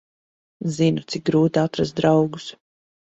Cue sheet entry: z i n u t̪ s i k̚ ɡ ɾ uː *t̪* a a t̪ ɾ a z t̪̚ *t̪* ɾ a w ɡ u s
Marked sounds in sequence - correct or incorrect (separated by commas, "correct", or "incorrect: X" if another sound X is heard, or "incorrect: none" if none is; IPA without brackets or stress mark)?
correct, incorrect: d̪